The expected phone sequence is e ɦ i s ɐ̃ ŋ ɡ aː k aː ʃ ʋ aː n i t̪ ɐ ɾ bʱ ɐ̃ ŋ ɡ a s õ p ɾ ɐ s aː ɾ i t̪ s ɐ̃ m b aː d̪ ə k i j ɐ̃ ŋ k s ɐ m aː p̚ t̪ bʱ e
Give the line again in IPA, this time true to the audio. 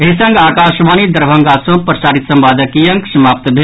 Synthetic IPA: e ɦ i s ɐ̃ ŋ ɡ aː k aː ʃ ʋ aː n i d̪ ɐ ɾ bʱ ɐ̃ ŋ ɡ a s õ p ɾ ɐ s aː ɾ i t̪ s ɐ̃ m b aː d̪ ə k i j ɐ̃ ŋ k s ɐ m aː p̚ t̪ bʱ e